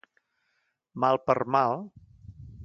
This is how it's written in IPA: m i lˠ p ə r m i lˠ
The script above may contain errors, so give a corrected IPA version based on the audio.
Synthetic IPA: m a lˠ p ə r m a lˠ